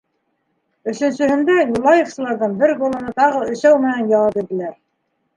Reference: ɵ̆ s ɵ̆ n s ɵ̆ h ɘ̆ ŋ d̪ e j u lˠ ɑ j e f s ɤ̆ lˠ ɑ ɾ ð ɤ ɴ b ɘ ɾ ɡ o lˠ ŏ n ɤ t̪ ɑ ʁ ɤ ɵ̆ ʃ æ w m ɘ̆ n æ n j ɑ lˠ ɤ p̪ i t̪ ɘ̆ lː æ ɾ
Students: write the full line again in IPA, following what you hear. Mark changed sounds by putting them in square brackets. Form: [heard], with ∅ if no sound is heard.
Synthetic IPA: ɵ̆ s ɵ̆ n s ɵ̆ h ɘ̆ [n] d̪ [æ] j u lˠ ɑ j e f s ɤ̆ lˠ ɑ ɾ ð ɤ ɴ b ɘ ɾ ɡ o lˠ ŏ n ɤ t̪ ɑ ʁ ɤ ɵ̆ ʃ æ w m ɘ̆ n æ n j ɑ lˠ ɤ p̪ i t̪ ɘ̆ [l] æ ɾ